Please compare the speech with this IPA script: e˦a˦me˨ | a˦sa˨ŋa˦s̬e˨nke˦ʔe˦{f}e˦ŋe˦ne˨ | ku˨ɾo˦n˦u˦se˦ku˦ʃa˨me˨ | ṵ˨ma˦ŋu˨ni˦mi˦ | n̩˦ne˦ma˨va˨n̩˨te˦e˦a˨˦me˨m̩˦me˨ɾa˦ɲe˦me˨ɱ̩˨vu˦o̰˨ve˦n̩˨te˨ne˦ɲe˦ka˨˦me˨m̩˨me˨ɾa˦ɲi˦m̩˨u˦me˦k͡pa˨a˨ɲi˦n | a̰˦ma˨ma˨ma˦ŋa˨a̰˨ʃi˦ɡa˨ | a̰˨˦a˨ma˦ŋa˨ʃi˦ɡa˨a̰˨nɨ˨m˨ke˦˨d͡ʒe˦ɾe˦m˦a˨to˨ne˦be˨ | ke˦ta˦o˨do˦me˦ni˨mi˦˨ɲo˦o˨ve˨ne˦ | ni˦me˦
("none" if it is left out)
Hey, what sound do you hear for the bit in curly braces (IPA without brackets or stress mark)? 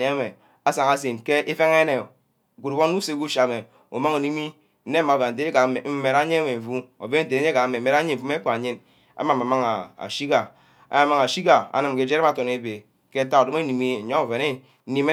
f